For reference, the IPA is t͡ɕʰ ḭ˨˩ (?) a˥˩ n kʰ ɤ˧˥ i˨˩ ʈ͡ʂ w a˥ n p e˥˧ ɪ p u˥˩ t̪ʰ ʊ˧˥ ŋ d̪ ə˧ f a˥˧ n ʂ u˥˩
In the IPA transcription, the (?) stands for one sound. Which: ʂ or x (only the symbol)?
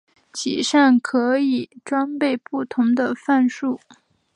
ʂ